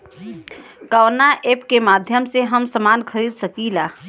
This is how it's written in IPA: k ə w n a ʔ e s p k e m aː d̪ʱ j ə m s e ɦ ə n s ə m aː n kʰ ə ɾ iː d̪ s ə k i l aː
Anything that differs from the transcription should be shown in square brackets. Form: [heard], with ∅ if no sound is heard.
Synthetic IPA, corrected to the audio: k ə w n a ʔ e [∅] p k e m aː d̪ʱ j ə m s e ɦ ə [m] s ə m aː n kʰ ə ɾ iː d̪ s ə k i l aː